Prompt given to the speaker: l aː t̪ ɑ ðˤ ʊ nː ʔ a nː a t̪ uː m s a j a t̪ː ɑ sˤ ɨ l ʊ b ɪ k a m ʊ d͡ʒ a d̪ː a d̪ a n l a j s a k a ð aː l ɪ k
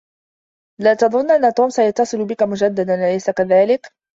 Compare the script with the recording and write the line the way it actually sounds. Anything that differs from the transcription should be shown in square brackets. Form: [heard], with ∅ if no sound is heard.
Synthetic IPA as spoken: l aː t̪ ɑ ðˤ ʊ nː ʔ a nː a t̪ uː m s a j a t̪ː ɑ sˤ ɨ l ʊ b ɪ k a m ʊ d͡ʒ a d̪ː a d̪ a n l a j s a k a ð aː l ɪ k

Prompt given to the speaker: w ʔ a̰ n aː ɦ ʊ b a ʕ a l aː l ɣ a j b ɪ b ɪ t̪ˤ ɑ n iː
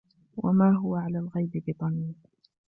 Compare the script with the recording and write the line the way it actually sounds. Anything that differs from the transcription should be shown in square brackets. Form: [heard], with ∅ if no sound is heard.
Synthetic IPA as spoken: w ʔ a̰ [m] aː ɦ ʊ [w] a ʕ a l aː l ɣ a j b ɪ b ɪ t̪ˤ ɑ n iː

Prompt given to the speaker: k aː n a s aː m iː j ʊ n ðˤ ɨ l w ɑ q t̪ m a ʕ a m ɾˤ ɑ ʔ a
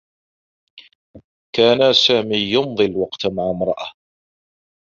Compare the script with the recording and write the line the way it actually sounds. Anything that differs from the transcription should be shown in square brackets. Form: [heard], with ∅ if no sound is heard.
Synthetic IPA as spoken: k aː n a s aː m iː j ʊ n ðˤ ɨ l w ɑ q t̪ m a ʕ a m ɾˤ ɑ ʔ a

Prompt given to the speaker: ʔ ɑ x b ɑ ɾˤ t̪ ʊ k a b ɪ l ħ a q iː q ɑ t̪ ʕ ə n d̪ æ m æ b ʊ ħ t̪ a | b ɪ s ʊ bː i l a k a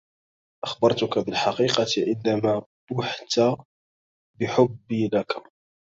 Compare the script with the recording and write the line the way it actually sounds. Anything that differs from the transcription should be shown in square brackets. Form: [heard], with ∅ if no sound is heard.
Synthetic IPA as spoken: ʔ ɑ x b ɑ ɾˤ t̪ ʊ k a b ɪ l ħ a q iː q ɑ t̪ ʕ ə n d̪ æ m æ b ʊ ħ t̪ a | b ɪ [ħ] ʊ bː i l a k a

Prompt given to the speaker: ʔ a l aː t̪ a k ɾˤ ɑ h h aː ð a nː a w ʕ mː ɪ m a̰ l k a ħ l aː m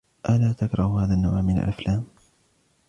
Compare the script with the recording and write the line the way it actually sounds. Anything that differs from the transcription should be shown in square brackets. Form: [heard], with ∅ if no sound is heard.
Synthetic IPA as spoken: ʔ a l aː t̪ a k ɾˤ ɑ h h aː ð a nː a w ʕ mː ɪ [n] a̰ l [ʔ] a [f] l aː m

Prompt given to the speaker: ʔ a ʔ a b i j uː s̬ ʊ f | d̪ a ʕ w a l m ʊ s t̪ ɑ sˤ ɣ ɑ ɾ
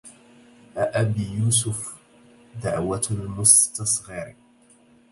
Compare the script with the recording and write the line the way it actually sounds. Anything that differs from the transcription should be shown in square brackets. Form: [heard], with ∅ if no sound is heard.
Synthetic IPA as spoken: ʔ a ʔ a b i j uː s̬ ʊ f | d̪ a ʕ w a l m ʊ s t̪ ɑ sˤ ɣ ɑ ɾ

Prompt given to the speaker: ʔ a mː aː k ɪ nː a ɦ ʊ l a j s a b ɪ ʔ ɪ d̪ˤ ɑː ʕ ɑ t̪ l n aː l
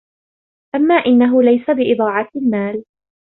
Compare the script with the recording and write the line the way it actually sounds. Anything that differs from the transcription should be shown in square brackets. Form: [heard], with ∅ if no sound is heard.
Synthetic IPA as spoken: ʔ a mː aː [ʔ] ɪ nː a ɦ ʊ l a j s a b ɪ ʔ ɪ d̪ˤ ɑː ʕ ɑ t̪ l [m] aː l

